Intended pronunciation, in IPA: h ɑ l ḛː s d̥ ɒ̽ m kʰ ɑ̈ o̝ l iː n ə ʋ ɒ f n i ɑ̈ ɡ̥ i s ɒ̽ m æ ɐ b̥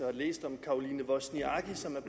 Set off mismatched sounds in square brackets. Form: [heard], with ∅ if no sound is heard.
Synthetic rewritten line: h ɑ l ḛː s d̥ ɒ̽ m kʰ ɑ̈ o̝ l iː n ə ʋ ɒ [s] n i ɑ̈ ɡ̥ i s ɒ̽ m æ ɐ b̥